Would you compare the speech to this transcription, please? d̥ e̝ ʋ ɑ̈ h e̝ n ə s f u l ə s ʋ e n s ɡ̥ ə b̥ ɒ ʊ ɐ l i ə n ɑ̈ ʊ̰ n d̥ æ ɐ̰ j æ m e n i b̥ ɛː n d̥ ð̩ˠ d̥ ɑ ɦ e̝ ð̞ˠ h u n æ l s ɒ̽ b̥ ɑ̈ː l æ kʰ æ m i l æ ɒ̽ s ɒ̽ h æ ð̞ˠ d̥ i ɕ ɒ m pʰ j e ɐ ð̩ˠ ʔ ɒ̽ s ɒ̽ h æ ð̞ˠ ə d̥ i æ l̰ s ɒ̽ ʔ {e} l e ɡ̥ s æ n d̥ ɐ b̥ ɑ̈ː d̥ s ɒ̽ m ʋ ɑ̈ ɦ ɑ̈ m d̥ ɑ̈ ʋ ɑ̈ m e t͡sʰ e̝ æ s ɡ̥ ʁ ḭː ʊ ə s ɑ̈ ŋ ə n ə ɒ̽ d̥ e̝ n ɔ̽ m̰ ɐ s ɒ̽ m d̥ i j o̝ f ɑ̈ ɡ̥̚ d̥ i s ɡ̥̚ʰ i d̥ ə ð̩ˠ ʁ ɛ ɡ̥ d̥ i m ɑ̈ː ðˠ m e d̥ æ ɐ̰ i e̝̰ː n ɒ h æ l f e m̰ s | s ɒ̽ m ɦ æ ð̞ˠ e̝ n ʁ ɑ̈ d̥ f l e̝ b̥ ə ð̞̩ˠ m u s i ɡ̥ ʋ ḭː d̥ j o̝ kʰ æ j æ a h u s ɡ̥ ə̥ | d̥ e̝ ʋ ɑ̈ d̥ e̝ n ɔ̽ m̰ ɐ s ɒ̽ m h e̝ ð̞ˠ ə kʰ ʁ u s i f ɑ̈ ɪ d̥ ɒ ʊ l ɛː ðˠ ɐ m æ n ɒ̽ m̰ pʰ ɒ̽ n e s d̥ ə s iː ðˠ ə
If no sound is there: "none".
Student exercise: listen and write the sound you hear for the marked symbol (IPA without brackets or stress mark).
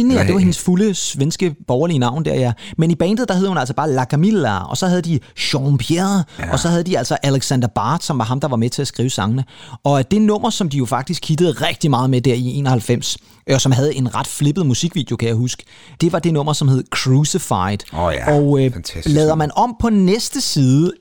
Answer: æ